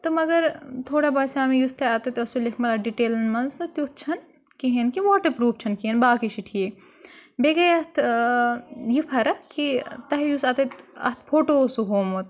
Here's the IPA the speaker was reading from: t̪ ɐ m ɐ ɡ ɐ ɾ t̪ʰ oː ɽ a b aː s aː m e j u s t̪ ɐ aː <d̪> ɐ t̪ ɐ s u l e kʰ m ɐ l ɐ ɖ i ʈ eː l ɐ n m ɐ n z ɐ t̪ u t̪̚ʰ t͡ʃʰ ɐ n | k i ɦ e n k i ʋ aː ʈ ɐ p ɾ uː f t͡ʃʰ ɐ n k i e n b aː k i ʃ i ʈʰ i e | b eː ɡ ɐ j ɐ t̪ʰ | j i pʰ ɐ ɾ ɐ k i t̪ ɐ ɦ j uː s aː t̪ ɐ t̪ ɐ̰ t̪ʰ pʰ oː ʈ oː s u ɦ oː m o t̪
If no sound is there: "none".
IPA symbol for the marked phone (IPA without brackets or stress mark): t̪